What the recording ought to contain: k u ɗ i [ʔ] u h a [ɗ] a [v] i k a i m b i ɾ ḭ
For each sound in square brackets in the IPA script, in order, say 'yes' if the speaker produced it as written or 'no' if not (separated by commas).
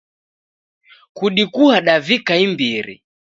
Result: no, yes, yes